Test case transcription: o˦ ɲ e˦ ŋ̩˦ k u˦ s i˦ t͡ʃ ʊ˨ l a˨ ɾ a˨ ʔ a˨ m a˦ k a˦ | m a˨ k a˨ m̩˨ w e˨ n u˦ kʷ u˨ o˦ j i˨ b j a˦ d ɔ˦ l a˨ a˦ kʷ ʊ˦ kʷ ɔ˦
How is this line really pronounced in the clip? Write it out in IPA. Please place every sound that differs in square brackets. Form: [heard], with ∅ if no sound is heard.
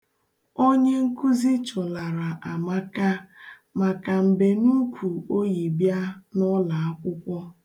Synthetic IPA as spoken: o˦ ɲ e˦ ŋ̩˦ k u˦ [z] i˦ t͡ʃ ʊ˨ l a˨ ɾ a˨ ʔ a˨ m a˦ k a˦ | m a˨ k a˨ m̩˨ [b] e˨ n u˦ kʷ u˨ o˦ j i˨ b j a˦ [n] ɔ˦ l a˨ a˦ kʷ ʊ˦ kʷ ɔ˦